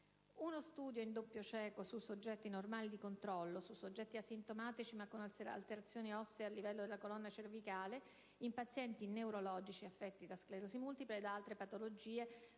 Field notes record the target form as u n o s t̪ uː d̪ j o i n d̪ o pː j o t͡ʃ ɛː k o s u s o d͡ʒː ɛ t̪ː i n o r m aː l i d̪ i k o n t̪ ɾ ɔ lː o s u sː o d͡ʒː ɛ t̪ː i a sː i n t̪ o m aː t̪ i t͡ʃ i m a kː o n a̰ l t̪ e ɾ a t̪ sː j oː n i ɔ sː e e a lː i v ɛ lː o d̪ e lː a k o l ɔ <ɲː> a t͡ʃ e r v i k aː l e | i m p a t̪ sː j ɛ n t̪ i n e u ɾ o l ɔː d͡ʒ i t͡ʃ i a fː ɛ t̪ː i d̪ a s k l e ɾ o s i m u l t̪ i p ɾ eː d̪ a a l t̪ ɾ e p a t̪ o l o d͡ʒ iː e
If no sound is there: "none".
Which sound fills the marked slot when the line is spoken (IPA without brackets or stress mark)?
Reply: nː